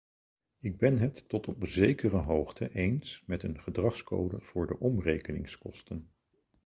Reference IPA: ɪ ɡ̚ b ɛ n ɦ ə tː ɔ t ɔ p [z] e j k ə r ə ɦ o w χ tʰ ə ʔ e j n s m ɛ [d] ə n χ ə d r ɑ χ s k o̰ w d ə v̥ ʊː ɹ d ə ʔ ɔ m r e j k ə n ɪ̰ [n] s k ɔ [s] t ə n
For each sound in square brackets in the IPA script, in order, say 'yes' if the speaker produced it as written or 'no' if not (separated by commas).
yes, no, no, yes